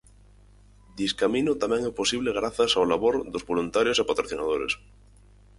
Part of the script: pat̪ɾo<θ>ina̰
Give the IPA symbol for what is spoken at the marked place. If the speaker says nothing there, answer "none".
θ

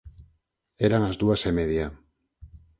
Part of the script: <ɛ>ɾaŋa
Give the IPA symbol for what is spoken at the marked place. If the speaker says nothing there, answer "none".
e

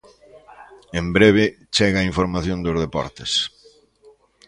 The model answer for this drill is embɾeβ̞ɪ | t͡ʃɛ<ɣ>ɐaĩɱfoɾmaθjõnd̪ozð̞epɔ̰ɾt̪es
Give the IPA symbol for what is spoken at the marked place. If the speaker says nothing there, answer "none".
ɣ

